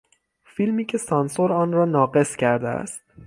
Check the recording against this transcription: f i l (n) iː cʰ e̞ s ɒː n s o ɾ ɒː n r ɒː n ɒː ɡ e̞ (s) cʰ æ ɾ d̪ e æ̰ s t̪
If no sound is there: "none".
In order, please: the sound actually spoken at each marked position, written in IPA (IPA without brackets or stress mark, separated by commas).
m, s